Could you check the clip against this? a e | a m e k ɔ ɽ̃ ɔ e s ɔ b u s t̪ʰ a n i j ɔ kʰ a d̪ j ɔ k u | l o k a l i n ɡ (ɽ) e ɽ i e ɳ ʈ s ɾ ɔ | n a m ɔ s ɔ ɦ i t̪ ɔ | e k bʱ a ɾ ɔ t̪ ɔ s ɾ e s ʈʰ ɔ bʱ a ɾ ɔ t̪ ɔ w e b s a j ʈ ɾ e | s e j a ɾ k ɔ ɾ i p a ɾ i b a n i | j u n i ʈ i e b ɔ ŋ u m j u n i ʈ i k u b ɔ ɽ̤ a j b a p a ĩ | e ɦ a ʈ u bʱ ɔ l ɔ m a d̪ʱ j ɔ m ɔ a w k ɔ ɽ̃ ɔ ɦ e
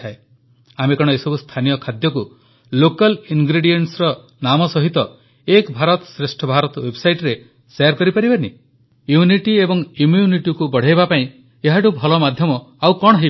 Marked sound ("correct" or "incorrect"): incorrect